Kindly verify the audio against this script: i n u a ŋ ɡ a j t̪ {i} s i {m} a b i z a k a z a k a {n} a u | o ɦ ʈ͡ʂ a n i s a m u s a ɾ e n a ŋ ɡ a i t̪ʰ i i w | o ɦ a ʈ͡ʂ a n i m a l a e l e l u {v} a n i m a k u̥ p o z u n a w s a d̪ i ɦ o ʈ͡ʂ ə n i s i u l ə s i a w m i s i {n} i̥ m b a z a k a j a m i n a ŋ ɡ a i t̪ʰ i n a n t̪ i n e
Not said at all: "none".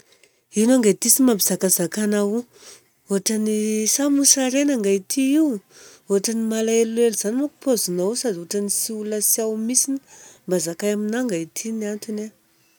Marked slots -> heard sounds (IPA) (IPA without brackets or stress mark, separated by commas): i, m, n, z, n